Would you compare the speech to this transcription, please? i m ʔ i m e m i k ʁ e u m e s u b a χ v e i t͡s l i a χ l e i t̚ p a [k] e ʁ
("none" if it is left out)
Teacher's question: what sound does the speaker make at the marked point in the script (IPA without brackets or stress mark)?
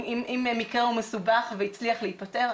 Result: t